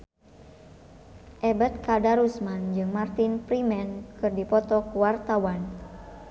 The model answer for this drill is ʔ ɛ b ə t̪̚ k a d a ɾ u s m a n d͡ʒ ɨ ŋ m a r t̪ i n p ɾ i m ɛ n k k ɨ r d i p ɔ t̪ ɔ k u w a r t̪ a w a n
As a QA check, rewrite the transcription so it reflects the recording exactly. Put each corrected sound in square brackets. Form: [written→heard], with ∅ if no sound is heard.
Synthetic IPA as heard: ʔ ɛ b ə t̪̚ k a d a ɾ u s m a n d͡ʒ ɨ ŋ m a r t̪ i n p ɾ i m ɛ n k k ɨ r d i p ɔ t̪ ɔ k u w a r t̪ a w a n